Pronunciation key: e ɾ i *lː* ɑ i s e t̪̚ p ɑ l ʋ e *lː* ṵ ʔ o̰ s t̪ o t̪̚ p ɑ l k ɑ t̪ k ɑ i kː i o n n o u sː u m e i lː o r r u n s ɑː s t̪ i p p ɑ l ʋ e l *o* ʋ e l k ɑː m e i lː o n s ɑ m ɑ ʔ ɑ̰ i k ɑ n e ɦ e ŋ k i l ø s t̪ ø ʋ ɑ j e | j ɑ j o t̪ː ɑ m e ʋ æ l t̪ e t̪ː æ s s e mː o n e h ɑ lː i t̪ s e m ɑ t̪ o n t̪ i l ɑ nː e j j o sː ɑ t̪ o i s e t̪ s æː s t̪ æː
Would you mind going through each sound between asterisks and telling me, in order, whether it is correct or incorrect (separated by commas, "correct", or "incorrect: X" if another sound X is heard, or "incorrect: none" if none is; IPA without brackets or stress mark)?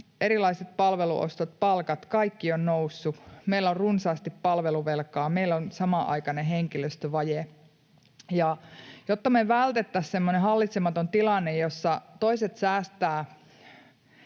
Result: incorrect: l, incorrect: l, incorrect: u